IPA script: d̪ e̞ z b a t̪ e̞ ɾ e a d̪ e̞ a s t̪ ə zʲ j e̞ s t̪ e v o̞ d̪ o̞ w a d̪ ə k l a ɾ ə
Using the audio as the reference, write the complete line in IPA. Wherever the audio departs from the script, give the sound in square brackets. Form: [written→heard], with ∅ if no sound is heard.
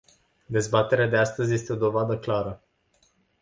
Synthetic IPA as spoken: d̪ e̞ z b a t̪ e̞ ɾ e a d̪ e̞ a s t̪ ə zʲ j e̞ s t̪ e [v→∅] o̞ d̪ o̞ [w→v] a d̪ ə k l a ɾ ə